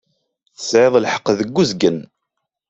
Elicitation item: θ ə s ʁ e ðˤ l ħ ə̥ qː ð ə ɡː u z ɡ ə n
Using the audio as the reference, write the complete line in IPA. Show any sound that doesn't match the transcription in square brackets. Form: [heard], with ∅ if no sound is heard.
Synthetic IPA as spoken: θ ə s [ʕ] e ðˤ l ħ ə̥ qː ð ə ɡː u z ɡ ə n